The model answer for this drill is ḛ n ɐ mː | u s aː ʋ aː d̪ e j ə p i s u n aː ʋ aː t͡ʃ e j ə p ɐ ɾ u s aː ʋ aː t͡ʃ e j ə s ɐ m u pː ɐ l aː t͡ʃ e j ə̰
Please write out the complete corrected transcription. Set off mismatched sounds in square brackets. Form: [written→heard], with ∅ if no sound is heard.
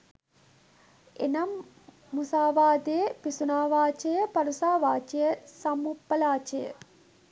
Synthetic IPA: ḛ n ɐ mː | u s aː ʋ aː d̪ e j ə p i s u n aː ʋ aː t͡ʃ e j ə p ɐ ɾ u s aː ʋ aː t͡ʃ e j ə s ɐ m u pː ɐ l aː t͡ʃ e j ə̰